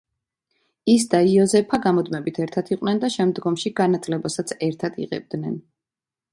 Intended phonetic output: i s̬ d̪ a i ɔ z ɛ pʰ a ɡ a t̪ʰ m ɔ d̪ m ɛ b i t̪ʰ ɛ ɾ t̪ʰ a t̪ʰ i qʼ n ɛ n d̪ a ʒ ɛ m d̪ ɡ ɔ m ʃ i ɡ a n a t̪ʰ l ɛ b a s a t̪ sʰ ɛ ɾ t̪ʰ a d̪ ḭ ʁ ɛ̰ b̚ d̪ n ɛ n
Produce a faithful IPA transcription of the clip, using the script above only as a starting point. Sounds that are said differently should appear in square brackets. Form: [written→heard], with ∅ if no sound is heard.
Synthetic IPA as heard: i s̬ d̪ a i ɔ z ɛ pʰ a ɡ a [t̪ʰ→∅] m ɔ d̪ m ɛ b i t̪ʰ ɛ ɾ t̪ʰ a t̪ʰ i qʼ n ɛ n d̪ a [ʒ→ʃ] ɛ m d̪ ɡ ɔ m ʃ i ɡ a n a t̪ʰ l ɛ b a s a t̪ sʰ ɛ ɾ t̪ʰ a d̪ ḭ ʁ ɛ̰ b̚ d̪ n ɛ n